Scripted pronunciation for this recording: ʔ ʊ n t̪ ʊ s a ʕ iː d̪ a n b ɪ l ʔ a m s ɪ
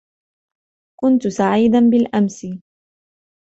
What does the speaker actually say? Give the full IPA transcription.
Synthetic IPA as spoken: k ʊ n t̪ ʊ s a ʕ iː d̪ a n b ɪ l ʔ a m s ɪ